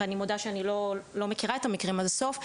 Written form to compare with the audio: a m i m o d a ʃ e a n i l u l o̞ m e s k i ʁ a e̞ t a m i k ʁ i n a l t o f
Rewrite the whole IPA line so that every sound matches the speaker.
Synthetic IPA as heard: a n i m o d a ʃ e a n i l o l o̞ m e k i ʁ a e̞ t a m i k ʁ i m a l s o f